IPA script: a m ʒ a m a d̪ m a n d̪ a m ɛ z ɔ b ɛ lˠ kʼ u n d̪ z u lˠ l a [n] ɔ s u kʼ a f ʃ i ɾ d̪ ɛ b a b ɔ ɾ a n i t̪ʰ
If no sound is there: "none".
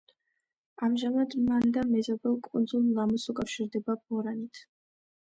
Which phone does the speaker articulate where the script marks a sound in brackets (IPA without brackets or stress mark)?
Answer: m